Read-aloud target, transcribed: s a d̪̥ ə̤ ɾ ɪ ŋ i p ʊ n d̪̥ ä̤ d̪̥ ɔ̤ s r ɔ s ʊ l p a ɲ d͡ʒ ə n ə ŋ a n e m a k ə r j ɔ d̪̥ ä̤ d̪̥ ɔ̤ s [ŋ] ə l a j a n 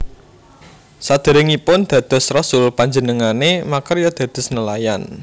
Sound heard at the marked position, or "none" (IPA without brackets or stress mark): n